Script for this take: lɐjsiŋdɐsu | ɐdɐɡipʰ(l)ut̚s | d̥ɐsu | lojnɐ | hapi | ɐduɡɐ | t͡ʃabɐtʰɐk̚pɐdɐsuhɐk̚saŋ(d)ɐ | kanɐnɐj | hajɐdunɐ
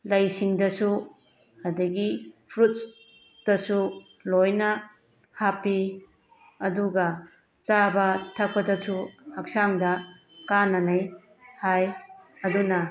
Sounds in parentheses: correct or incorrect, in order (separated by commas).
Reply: incorrect, correct